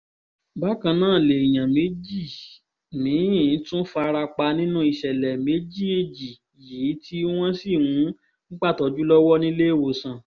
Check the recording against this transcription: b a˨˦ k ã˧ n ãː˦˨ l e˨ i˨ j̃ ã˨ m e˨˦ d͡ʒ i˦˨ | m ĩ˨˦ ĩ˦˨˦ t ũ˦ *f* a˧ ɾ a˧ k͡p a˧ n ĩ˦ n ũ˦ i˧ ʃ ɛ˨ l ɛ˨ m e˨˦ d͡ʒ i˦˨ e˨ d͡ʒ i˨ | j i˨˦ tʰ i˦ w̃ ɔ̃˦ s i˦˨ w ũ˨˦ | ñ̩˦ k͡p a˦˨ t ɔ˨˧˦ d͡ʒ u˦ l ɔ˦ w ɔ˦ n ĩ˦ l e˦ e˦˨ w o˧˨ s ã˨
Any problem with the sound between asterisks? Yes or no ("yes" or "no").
no